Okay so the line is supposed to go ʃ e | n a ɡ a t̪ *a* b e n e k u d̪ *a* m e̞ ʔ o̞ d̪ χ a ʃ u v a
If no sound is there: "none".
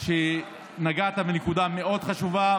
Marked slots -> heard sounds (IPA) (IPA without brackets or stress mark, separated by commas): a, a